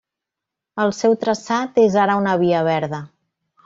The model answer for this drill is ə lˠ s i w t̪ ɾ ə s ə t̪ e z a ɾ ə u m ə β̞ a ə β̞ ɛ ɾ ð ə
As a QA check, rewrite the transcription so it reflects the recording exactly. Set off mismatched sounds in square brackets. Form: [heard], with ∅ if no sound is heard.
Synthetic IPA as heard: ə lˠ s [ɛ] w t̪ ɾ ə s [a] t̪ e z a ɾ ə u [n] ə β̞ [i] ə β̞ ɛ ɾ ð ə